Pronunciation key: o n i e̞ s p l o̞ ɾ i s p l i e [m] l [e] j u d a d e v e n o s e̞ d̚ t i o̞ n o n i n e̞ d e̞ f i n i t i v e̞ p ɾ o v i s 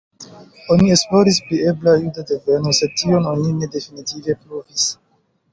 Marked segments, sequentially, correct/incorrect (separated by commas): incorrect, incorrect